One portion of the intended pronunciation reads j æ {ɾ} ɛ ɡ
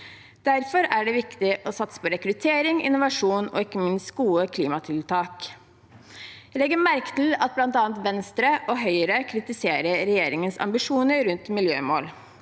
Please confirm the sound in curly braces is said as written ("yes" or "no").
no